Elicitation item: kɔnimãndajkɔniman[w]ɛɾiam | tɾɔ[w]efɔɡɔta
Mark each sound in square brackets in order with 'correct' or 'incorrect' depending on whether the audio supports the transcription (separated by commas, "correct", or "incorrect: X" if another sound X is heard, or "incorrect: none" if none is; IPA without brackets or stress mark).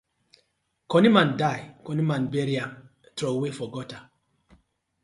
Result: incorrect: b, correct